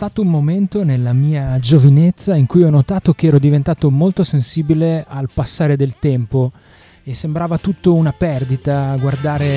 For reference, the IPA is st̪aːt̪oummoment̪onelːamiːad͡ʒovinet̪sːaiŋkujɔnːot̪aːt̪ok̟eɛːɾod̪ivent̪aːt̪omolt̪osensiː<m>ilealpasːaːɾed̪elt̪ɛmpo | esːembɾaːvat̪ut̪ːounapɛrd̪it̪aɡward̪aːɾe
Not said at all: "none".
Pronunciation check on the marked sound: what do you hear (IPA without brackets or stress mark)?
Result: b